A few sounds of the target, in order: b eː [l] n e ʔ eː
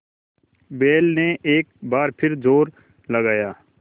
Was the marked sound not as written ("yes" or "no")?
no